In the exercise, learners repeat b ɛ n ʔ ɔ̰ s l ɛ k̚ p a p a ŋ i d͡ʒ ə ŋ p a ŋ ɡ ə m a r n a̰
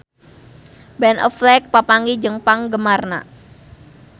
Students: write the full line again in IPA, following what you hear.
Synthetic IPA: b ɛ n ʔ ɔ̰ f l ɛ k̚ p a p a ŋ i d͡ʒ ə ŋ p a ŋ ɡ ə m a r n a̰